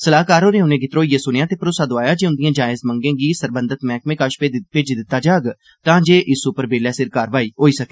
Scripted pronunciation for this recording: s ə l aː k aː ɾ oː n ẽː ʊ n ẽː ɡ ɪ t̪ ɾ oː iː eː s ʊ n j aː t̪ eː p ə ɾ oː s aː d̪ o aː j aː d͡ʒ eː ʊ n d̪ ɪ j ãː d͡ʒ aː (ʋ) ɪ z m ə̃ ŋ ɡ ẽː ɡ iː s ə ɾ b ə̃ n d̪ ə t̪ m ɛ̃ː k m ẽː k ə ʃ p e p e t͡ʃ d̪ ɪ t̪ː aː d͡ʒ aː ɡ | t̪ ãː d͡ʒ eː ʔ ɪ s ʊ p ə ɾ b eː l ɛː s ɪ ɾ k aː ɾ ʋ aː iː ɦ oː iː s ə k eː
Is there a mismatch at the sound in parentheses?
yes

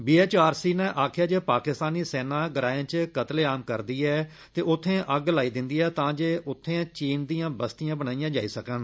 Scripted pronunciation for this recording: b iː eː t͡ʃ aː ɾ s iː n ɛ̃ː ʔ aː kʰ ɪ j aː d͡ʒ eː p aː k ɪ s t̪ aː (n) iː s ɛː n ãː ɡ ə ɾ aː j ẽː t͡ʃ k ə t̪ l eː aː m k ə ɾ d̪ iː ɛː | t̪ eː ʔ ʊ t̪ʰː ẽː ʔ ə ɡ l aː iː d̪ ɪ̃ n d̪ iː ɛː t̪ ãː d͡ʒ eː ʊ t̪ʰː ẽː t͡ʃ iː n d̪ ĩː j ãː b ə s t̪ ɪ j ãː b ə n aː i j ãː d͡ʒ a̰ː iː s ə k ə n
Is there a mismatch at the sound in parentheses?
no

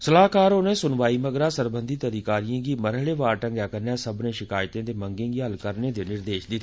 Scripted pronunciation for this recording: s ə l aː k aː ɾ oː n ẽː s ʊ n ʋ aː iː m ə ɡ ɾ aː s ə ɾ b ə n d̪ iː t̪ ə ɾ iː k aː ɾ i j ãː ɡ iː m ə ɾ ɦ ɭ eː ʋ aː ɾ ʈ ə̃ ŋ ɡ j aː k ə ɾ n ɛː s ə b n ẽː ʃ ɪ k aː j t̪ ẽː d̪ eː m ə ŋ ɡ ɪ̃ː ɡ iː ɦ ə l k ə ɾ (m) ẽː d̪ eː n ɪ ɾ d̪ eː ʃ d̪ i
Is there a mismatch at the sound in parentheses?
yes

